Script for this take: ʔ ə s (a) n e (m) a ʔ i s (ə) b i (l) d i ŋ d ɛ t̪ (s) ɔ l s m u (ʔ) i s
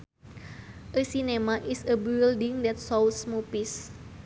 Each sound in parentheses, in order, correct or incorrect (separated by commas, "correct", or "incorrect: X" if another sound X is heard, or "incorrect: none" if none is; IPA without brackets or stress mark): incorrect: i, correct, correct, correct, correct, incorrect: p